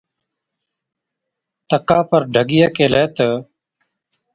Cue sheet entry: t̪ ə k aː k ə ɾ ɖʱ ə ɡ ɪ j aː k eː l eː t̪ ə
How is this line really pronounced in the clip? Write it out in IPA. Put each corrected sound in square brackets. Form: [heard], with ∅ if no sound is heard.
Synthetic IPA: t̪ ə k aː [p] ə ɾ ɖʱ ə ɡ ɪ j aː k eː l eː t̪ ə